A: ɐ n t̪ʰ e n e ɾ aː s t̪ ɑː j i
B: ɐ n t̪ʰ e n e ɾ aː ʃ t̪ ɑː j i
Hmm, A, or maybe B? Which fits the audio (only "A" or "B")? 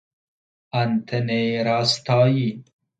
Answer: A